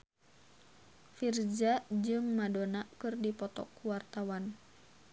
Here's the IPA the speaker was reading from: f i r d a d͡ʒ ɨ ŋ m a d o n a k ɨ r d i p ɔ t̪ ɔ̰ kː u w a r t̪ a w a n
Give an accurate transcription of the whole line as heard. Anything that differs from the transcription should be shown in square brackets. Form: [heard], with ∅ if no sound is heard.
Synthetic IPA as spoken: f i r [d͡ʒ] a d͡ʒ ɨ ŋ m a d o n a k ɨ r d i p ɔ t̪ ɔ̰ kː u w a r t̪ a w a n